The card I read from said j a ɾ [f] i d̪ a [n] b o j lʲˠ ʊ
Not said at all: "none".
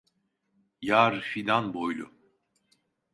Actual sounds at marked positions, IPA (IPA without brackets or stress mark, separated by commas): f, n